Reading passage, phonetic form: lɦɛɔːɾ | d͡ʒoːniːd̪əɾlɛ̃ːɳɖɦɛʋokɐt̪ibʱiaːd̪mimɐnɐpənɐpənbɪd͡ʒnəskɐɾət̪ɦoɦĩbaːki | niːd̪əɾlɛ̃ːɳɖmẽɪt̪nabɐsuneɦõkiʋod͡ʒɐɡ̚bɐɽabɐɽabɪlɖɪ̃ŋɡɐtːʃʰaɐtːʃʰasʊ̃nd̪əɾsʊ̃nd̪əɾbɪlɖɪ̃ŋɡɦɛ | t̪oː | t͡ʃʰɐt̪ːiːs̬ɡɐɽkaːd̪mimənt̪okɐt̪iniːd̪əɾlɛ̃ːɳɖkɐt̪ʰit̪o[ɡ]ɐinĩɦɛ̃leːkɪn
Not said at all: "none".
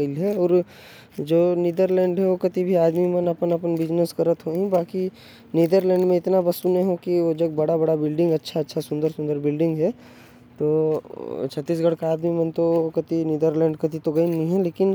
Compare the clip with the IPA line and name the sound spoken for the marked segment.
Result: ɡ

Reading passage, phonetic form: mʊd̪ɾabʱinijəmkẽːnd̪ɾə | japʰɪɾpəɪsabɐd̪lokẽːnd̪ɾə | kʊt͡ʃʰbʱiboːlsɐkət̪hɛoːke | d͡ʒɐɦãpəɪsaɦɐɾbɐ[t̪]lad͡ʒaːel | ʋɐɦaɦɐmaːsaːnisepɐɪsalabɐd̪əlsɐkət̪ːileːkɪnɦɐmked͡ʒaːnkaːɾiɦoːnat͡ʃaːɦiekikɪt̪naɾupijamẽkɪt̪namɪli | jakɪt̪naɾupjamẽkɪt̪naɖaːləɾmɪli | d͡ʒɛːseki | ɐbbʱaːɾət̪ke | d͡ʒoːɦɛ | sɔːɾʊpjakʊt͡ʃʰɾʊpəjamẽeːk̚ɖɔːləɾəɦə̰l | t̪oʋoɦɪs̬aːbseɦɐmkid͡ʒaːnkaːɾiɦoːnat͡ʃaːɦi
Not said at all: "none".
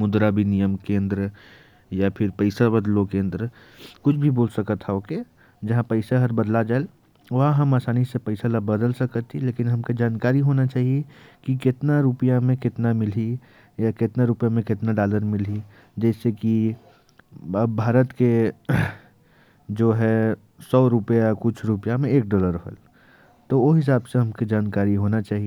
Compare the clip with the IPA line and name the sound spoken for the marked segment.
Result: d̪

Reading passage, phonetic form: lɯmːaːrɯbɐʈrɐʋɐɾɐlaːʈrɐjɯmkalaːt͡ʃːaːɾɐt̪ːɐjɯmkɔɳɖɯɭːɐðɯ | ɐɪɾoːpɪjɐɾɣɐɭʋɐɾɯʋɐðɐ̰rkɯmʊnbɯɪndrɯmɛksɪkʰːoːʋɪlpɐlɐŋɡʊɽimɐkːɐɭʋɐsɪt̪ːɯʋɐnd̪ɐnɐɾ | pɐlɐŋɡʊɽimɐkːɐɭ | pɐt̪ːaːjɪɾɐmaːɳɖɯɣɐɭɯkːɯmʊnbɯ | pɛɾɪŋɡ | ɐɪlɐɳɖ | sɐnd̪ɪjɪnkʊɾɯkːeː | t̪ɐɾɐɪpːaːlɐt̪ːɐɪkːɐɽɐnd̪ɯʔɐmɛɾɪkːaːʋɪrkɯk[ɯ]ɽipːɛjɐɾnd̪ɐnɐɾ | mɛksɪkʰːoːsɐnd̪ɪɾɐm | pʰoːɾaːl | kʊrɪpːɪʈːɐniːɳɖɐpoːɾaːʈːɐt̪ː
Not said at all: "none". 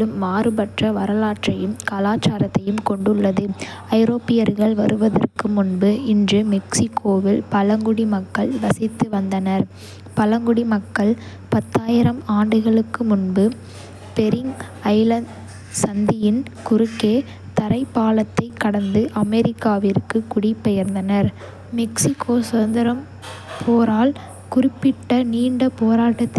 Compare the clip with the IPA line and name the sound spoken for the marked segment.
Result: ʊ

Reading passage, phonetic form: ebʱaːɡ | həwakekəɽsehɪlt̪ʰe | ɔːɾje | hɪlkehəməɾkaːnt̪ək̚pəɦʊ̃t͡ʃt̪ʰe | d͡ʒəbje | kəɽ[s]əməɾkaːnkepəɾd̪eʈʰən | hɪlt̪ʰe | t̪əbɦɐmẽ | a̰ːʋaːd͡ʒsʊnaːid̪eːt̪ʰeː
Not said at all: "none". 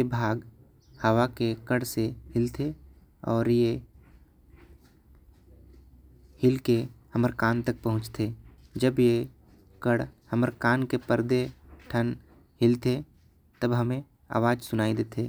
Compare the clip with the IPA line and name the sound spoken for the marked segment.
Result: h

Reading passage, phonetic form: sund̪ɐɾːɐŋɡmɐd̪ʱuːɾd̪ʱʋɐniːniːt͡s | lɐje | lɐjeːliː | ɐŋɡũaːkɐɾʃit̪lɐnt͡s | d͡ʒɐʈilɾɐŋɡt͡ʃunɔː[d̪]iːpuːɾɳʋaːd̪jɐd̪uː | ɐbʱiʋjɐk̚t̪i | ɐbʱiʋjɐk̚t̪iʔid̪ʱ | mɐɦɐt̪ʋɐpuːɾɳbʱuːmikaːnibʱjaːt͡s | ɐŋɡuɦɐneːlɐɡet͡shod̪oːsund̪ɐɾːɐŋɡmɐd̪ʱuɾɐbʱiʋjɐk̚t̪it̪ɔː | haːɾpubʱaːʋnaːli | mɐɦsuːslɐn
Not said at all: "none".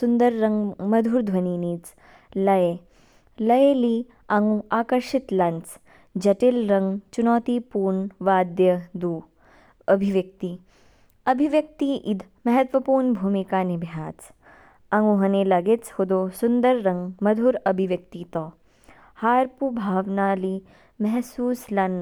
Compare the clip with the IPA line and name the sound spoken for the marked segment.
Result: t̪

